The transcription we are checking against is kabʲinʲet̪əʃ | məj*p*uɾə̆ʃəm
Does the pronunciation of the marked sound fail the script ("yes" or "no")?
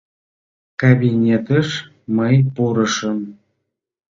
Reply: no